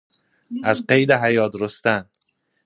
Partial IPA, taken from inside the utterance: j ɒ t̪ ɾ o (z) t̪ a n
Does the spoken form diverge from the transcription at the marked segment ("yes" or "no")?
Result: yes